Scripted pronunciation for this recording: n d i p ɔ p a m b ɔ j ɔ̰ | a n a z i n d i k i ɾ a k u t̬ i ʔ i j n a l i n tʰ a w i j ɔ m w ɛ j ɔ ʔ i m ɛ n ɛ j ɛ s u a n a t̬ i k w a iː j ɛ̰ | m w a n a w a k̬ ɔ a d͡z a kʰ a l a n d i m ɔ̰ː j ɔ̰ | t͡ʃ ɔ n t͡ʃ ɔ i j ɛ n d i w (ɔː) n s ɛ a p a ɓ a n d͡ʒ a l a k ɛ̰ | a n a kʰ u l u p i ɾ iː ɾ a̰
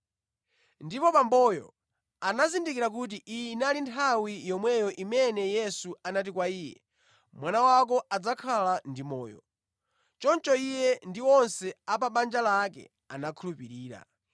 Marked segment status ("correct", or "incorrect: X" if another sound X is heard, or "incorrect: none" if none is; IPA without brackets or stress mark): incorrect: ɔ